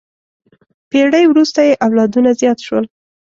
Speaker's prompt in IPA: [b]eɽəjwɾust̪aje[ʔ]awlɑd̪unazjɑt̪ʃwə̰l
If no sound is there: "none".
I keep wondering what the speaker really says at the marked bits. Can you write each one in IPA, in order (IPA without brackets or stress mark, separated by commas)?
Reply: p, ʔ